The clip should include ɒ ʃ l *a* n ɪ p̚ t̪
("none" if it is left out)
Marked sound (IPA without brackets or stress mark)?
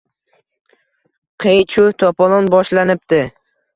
a